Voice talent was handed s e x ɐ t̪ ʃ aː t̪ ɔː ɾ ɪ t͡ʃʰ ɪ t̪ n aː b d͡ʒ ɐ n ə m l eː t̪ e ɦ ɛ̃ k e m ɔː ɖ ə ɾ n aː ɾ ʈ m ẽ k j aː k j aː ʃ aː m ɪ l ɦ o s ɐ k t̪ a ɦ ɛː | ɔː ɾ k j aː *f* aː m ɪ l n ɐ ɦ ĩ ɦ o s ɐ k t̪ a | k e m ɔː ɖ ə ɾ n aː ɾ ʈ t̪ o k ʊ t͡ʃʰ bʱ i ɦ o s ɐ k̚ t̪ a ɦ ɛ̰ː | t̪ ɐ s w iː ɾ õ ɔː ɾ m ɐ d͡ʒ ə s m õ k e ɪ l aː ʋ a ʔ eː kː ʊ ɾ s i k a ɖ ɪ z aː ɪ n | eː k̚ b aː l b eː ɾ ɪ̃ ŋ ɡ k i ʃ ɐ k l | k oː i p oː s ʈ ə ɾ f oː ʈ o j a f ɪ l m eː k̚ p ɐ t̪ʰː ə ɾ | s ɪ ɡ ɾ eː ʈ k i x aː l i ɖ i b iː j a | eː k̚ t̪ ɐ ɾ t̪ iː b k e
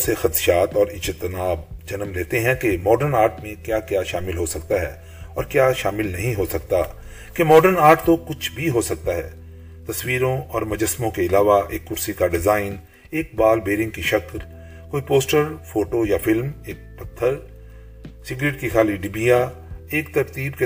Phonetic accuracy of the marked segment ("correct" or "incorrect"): incorrect